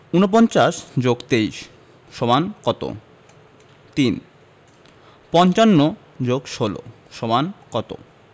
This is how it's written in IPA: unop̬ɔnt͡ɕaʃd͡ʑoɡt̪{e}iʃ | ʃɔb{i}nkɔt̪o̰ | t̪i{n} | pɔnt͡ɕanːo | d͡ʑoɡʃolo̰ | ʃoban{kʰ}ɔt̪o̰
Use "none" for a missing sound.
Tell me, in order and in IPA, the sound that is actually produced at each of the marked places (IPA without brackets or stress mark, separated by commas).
e, a, n, k